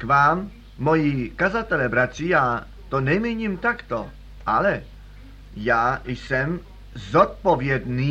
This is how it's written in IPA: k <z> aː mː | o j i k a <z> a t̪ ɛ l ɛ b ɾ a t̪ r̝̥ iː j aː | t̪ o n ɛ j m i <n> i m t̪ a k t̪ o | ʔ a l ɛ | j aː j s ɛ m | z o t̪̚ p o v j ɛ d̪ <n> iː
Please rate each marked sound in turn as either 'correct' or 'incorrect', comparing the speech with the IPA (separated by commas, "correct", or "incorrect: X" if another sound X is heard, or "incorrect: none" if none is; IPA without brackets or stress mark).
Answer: incorrect: v, correct, incorrect: ɲ, correct